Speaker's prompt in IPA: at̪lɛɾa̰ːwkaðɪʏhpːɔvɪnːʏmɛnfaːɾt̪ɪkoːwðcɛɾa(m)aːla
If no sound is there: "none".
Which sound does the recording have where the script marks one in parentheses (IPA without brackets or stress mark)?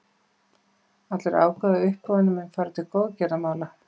m